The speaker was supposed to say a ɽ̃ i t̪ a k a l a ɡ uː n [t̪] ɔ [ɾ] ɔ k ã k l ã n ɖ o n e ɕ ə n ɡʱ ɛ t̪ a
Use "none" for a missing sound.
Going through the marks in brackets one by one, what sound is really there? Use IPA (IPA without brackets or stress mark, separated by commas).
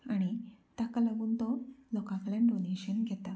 t̪, l